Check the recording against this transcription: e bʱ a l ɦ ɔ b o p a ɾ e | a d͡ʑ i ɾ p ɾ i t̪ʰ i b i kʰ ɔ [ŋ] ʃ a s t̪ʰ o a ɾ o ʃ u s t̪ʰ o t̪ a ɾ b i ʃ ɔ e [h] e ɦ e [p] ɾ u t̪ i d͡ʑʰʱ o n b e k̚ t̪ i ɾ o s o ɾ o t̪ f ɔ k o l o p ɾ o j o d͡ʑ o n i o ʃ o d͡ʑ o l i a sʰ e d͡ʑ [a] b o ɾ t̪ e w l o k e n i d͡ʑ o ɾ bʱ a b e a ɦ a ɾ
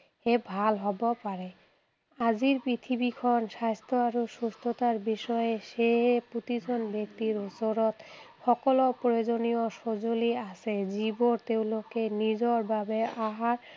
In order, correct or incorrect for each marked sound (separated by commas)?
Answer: incorrect, incorrect, correct, incorrect